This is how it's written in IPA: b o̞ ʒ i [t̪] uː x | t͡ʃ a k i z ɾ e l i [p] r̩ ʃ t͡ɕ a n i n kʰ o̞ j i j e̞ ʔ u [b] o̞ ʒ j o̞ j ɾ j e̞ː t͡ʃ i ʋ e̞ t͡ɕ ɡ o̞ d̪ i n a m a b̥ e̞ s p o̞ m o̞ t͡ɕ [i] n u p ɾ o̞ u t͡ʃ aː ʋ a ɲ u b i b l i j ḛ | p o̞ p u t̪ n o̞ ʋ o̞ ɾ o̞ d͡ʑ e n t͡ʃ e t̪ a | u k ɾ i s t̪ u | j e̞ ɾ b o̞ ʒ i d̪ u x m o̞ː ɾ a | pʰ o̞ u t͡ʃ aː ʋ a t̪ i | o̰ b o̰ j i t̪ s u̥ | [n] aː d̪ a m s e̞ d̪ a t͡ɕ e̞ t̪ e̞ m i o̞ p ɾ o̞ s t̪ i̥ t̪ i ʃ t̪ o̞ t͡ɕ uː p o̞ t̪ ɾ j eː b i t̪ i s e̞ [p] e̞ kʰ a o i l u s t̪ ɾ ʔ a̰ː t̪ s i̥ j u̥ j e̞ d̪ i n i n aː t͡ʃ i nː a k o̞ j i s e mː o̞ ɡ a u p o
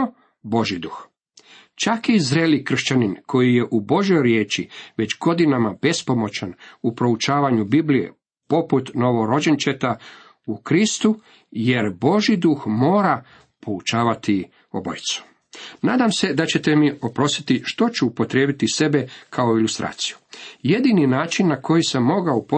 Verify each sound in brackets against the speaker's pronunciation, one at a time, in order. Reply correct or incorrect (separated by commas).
incorrect, incorrect, correct, incorrect, correct, incorrect